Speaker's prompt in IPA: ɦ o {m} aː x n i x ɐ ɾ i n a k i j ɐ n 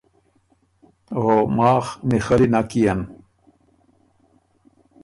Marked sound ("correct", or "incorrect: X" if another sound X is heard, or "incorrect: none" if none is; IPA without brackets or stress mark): correct